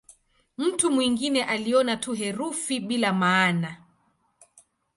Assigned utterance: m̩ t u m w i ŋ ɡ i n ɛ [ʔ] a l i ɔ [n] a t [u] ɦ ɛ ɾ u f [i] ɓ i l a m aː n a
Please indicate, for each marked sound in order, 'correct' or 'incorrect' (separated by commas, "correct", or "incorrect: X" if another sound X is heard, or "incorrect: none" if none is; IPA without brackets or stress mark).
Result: correct, correct, correct, correct